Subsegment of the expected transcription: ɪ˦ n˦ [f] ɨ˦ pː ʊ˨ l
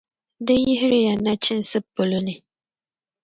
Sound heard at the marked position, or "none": s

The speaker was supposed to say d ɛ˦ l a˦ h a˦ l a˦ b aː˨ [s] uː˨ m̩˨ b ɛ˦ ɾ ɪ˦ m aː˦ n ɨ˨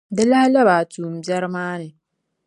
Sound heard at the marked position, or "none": t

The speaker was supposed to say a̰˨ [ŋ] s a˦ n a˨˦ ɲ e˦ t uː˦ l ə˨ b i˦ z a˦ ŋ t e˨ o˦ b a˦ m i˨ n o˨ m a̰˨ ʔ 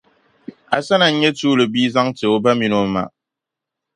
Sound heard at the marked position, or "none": none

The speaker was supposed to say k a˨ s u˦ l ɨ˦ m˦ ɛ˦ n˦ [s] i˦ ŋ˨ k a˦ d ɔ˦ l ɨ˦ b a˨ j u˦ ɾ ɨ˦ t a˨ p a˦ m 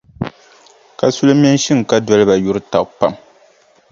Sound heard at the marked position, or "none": ʃ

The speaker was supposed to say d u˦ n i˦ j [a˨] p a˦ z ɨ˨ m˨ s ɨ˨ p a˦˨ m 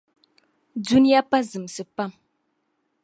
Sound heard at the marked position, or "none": a˦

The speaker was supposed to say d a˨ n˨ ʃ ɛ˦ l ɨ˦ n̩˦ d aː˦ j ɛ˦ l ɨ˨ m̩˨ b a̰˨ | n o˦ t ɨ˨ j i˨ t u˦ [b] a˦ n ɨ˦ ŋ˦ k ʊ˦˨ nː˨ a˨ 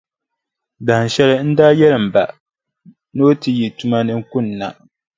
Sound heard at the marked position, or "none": m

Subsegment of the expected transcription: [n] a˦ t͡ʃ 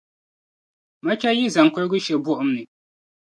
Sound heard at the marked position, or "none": m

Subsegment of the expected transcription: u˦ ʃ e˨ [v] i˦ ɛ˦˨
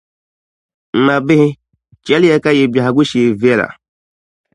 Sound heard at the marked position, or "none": v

